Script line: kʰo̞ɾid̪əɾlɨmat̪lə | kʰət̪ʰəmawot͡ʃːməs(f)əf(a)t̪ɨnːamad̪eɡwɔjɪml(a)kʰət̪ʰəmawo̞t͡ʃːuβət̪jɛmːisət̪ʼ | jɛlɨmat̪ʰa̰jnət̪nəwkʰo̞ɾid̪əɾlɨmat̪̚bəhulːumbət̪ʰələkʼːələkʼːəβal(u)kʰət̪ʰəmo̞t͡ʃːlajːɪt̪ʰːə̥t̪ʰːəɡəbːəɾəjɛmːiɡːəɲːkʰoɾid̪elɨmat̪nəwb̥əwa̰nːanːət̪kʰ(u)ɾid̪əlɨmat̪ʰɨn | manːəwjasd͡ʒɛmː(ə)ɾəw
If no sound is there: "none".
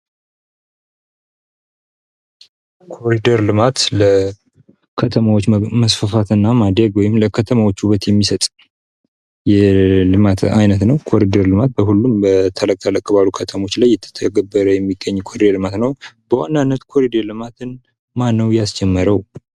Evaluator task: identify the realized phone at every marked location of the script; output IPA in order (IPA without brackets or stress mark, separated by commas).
f, a, ə, u, o, ə